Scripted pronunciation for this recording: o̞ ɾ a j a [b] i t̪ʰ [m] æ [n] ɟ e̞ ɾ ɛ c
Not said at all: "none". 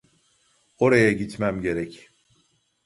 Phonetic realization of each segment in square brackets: ɟ, m, m

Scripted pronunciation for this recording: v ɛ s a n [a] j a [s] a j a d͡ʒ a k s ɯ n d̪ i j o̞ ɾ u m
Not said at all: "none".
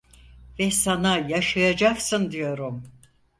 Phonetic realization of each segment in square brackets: a, ʃ

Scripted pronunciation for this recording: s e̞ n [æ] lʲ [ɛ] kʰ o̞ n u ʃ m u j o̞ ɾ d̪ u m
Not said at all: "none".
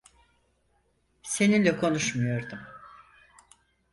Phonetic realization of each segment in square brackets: i, ɛ

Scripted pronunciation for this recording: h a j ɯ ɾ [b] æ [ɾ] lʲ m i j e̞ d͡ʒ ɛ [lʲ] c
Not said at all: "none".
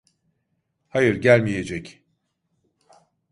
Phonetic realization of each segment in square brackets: ɟ, none, none

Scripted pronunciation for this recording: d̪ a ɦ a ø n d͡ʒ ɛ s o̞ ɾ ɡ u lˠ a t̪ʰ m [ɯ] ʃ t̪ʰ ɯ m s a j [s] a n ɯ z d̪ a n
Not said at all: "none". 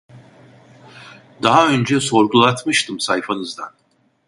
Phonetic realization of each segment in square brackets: ɯ, f

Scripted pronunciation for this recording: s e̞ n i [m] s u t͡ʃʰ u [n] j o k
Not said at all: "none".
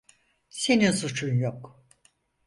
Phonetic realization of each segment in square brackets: n, n

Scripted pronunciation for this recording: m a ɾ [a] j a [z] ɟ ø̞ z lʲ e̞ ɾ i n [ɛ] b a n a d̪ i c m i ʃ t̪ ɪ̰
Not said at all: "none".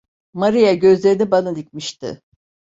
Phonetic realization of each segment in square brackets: i, none, i

